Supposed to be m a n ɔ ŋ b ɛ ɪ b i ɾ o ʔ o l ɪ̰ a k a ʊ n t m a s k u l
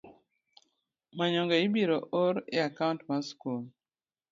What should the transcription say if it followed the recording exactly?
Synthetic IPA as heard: m a ɲ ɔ ŋ ɡ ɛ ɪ b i ɾ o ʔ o ɾ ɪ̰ a k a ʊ n t m a s k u l